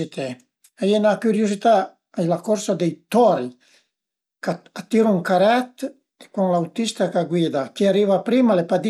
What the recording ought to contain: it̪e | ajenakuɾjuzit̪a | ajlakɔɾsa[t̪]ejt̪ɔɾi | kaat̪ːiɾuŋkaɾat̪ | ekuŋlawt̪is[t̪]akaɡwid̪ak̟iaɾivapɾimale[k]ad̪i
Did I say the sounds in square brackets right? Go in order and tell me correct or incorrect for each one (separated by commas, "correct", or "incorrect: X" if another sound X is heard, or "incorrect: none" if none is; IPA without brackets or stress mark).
incorrect: d̪, correct, incorrect: p